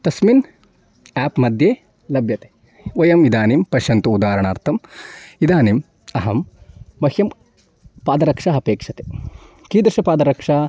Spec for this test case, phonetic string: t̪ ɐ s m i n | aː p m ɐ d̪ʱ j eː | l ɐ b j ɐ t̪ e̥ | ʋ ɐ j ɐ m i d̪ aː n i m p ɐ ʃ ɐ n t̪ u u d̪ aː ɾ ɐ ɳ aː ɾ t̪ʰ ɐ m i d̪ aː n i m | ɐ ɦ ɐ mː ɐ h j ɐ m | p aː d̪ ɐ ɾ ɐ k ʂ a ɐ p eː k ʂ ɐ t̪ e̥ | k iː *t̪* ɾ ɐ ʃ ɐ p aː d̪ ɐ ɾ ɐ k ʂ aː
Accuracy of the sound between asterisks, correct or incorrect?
incorrect